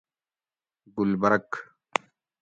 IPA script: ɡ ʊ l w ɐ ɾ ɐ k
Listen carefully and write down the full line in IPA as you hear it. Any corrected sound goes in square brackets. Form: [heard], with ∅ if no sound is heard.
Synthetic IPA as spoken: ɡ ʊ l [b] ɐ ɾ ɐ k